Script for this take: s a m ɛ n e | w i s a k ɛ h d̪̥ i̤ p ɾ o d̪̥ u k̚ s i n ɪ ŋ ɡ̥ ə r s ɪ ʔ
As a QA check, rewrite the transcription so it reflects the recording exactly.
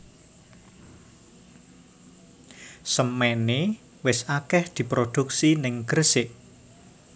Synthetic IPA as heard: s ə m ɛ n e | w ɪ s a k ɛ h d̪̥ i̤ p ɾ o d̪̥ u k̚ s i n ɪ ŋ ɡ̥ ə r s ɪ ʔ